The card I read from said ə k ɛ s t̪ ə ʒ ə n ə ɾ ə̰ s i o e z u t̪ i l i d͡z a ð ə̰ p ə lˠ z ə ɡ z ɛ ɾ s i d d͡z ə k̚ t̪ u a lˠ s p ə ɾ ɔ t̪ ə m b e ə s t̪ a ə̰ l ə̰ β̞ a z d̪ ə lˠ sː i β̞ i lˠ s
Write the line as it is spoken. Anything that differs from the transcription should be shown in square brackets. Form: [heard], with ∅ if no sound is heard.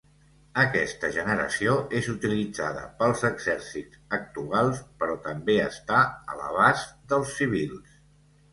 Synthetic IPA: ə k ɛ s t̪ ə ʒ ə n ə ɾ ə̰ s i o e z u t̪ i l i d͡z a ð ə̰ p ə lˠ z ə ɡ z ɛ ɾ s i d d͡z ə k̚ t̪ u a lˠ s p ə ɾ ɔ t̪ ə m b e ə s t̪ a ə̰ l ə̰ β̞ a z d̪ ə lˠ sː i β̞ i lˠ s